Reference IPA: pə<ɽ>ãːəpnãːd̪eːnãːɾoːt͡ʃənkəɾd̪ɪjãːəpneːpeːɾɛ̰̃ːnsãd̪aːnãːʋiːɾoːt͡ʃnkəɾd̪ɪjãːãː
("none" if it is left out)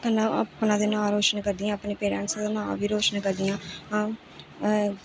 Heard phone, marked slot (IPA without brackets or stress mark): l